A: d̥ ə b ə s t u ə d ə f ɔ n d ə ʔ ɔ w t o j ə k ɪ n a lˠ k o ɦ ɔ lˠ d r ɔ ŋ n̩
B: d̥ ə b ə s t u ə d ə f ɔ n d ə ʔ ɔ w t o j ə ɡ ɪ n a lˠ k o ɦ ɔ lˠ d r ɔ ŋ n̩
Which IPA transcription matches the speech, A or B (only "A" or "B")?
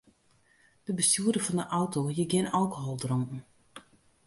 B